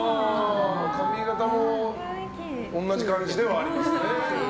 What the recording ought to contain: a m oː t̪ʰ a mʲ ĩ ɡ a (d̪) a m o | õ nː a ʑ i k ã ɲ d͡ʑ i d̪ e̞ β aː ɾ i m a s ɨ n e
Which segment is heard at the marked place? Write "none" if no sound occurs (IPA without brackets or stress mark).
t̪